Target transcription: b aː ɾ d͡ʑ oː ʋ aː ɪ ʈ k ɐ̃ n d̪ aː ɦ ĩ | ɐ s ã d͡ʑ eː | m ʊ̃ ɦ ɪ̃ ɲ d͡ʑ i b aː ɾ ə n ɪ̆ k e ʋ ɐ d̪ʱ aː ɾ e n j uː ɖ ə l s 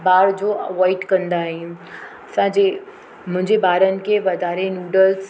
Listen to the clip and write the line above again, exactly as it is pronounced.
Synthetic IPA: b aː ɾ d͡ʑ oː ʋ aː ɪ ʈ k ɐ̃ n d̪ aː ɦ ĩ | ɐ s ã d͡ʑ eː | m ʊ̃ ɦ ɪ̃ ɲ d͡ʑ e b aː ɾ ə n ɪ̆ k e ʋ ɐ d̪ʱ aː ɾ e n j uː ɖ ə l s